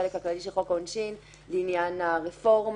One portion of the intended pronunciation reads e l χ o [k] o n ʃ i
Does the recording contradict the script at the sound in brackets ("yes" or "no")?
no